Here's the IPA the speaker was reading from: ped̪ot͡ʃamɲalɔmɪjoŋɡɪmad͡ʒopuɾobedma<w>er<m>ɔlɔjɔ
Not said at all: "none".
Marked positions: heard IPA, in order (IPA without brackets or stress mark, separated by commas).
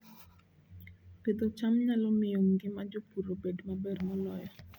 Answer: b, m